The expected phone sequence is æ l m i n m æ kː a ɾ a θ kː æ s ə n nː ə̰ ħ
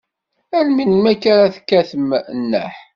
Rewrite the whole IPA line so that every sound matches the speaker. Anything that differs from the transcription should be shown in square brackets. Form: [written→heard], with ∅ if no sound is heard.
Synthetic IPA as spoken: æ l m i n m æ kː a ɾ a θ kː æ [s→θ] ə [n→m] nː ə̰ ħ